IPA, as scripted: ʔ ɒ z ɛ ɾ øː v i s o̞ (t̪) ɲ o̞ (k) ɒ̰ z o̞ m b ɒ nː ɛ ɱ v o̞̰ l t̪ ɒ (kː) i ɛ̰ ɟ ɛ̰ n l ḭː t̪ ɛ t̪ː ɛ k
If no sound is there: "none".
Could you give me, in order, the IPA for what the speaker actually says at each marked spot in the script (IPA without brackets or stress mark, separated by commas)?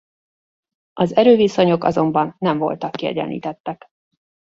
none, k, kː